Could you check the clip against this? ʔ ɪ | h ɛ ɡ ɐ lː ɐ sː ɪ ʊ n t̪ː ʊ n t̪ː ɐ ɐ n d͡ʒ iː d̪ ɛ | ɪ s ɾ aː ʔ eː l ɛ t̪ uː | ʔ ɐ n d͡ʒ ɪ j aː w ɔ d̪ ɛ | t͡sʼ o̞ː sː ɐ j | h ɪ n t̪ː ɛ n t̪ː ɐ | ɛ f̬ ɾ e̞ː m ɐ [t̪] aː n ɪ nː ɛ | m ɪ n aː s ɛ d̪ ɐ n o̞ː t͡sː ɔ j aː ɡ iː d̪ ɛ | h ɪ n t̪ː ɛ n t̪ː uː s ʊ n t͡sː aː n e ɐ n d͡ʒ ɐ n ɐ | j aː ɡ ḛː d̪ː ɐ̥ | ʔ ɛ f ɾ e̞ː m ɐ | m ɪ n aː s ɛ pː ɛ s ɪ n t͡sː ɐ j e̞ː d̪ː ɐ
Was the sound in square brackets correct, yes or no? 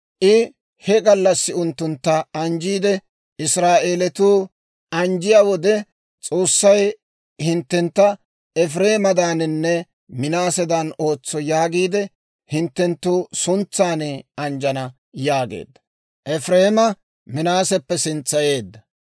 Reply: no